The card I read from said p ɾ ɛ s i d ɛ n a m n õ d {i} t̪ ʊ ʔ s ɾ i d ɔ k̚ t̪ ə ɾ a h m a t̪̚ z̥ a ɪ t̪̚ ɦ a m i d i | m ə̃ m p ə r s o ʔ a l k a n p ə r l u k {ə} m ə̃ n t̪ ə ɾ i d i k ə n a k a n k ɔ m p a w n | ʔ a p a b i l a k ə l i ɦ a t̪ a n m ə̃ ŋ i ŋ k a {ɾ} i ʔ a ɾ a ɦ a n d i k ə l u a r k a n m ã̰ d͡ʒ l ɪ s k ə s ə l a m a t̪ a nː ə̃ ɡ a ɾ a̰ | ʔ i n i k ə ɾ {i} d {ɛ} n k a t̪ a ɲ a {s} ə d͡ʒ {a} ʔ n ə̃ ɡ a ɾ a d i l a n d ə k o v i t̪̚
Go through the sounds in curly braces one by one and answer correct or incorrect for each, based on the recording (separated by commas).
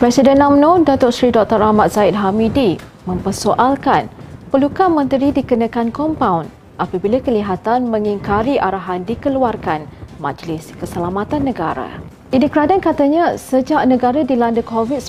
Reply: incorrect, incorrect, correct, incorrect, incorrect, correct, correct